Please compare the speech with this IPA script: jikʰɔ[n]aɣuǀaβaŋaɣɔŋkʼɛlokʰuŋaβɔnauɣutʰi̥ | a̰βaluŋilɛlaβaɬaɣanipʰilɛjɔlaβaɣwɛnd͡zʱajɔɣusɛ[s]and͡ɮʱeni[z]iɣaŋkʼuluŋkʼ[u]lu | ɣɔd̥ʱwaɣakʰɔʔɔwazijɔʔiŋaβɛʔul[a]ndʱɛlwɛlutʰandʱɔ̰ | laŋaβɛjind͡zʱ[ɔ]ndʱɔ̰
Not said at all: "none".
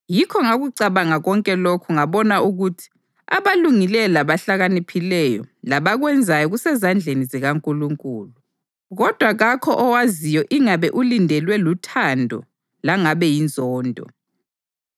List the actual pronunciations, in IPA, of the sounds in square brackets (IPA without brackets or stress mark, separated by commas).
ŋ, z, z, uː, i, ɔː